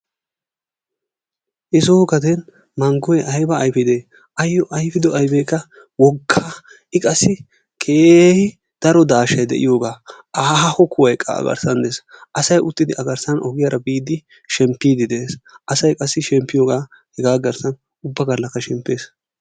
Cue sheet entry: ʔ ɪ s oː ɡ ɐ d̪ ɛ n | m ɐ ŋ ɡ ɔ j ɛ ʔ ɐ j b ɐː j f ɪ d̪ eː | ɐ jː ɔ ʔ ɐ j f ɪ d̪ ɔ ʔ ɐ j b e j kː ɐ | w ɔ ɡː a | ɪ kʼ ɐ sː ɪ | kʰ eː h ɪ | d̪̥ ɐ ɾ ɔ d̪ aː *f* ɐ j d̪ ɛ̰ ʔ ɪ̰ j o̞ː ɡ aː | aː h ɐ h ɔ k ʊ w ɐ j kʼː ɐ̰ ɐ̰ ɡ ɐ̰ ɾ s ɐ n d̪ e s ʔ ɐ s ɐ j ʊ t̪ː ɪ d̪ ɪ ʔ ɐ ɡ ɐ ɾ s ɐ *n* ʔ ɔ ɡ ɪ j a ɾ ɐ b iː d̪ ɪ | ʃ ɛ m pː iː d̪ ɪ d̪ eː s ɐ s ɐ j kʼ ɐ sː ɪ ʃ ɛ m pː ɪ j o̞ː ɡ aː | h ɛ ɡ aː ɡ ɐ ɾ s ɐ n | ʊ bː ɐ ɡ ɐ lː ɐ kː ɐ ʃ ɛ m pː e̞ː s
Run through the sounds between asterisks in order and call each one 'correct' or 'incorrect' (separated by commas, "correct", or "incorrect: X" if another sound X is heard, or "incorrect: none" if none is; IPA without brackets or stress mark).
incorrect: ʃ, correct